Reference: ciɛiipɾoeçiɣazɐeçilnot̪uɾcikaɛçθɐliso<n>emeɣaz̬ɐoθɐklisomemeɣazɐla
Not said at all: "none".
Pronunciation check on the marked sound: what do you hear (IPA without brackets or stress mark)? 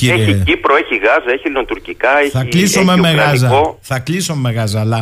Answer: m